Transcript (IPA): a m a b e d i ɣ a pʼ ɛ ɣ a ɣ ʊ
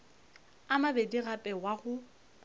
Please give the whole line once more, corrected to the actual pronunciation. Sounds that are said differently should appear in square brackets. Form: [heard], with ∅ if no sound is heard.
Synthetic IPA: a m a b e d i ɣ a pʼ ɛ [w] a ɣ ʊ